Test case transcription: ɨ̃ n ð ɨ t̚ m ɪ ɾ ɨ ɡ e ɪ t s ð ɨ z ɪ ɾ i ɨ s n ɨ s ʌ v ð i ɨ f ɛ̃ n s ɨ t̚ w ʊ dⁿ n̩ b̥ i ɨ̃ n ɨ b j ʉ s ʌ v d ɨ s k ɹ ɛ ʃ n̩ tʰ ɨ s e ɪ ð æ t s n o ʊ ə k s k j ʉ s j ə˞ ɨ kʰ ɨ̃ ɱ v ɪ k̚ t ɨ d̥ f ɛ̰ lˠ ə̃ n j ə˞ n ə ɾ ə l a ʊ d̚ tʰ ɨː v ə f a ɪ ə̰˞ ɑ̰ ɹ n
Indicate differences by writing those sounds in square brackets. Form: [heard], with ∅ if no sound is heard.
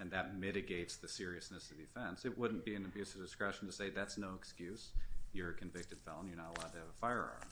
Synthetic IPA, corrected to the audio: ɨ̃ n ð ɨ t̚ m ɪ ɾ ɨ ɡ e ɪ t s ð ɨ [s] ɪ [ɹ] i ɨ s n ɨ s ʌ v ð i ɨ f ɛ̃ n s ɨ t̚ w ʊ dⁿ n̩ b̥ i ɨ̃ n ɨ b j ʉ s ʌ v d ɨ s k ɹ ɛ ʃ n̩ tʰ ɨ s e ɪ ð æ t s n o ʊ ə k s k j ʉ s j ə˞ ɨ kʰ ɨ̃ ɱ v ɪ k̚ t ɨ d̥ f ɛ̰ lˠ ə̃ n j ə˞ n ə ɾ ə l a ʊ d̚ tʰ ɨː v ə f a ɪ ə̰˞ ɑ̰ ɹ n

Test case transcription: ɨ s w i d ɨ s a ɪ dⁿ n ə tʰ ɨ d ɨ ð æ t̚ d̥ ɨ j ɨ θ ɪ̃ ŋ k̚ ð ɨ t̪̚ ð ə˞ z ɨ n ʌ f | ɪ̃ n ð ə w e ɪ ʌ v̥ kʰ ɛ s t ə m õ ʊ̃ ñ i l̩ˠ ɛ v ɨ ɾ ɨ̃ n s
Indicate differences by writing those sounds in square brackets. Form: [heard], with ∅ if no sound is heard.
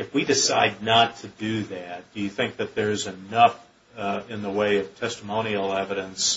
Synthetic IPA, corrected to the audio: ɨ [f] w i d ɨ s a ɪ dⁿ n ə tʰ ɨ d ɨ ð æ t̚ d̥ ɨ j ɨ θ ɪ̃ ŋ k̚ ð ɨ t̪̚ ð ə˞ z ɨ n ʌ f | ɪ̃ n ð ə w e ɪ ʌ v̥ [tʰ] ɛ s t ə m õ ʊ̃ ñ i l̩ˠ ɛ v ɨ ɾ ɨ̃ n s

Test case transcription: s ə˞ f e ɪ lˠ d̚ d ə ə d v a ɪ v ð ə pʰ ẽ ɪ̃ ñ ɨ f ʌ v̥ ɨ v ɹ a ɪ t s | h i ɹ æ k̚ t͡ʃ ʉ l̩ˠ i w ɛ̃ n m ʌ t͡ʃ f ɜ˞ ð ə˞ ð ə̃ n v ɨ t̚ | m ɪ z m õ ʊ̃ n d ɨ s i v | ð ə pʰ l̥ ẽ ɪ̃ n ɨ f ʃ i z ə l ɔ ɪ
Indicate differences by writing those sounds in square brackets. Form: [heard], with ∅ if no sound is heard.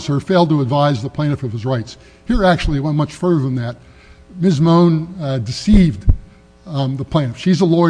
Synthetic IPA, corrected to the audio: s ə˞ f e ɪ lˠ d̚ [t] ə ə d v a ɪ [z] ð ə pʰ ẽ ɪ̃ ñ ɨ f ʌ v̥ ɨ [z] ɹ a ɪ t s | h i ɹ æ k̚ t͡ʃ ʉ l̩ˠ i w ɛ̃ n m ʌ t͡ʃ f ɜ˞ ð ə˞ ð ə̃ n [ð] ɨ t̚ | m ɪ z m õ ʊ̃ n d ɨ s i v | ð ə pʰ l̥ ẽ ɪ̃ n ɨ f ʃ i z ə l ɔ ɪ

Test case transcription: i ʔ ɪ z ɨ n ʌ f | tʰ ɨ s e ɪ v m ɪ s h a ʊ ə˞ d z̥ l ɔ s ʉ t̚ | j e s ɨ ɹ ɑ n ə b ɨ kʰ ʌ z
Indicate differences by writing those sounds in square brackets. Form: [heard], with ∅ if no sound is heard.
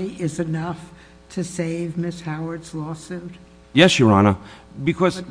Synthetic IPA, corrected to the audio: i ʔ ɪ z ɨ n ʌ f | tʰ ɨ s e ɪ v m ɪ s h a ʊ ə˞ d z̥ l ɔ s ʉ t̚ | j [ɛ] s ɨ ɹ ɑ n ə b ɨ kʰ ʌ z

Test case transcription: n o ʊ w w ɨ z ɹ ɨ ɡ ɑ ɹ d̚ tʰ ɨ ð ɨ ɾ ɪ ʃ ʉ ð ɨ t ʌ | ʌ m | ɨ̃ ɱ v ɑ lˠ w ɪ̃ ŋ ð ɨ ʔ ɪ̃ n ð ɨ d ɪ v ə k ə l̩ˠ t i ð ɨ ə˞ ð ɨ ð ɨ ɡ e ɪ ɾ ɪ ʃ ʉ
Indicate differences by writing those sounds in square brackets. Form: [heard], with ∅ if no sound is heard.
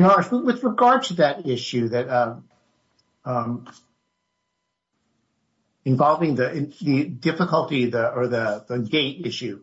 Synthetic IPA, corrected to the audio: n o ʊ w w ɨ [ð] ɹ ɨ ɡ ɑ ɹ d̚ tʰ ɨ ð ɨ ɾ ɪ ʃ ʉ ð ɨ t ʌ | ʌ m | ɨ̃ ɱ v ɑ lˠ [v] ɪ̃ ŋ ð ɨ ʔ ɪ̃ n ð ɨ d ɪ [f] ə k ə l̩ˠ t i ð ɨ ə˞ ð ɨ ð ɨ ɡ e ɪ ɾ ɪ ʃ ʉ

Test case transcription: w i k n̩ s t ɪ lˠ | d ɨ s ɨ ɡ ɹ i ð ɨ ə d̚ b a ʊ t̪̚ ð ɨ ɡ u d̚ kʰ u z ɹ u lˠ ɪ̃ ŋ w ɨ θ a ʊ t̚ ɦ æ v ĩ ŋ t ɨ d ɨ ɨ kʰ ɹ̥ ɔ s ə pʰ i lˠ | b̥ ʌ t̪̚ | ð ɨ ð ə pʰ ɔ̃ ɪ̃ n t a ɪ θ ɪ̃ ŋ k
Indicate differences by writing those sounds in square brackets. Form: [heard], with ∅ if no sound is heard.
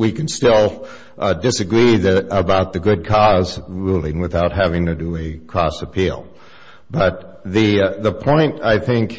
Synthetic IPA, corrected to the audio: w i k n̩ s t ɪ lˠ | d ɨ s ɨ ɡ ɹ i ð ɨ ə [∅] b a ʊ t̪̚ ð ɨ ɡ [ʊ] d̚ kʰ [ɔ] z ɹ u lˠ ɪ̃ ŋ w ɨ θ a ʊ t̚ ɦ æ v [ɪ̃] ŋ t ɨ d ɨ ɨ kʰ ɹ̥ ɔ s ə pʰ i lˠ | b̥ ʌ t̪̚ | ð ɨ ð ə pʰ ɔ̃ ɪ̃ n t a ɪ θ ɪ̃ ŋ k

